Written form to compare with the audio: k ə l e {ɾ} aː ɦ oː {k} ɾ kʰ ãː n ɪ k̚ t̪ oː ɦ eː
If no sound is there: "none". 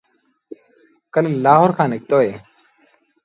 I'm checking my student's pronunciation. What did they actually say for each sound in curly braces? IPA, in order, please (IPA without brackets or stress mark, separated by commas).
l, none